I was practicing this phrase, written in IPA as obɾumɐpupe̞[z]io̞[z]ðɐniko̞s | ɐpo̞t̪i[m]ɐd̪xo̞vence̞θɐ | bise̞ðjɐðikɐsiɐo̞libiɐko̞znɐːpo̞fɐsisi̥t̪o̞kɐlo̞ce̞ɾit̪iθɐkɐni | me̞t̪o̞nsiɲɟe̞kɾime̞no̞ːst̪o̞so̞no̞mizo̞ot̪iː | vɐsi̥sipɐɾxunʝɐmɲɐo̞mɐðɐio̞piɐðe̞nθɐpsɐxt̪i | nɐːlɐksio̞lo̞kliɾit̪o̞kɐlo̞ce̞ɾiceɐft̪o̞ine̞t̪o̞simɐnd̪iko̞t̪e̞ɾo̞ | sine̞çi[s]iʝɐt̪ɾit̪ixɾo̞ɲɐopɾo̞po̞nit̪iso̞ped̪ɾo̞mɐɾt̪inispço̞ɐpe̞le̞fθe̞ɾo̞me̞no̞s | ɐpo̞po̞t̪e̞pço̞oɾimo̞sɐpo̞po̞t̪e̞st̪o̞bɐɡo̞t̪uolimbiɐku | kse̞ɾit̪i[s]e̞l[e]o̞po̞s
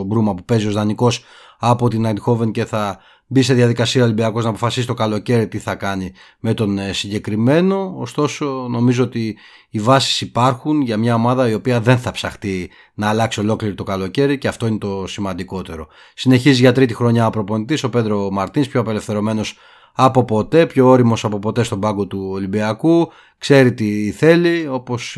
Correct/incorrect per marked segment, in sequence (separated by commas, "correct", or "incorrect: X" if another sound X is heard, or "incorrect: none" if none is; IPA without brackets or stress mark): correct, correct, incorrect: n, incorrect: z, incorrect: θ, incorrect: i